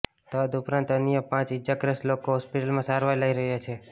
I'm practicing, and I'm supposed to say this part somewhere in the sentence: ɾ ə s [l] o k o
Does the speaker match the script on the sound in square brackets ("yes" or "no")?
yes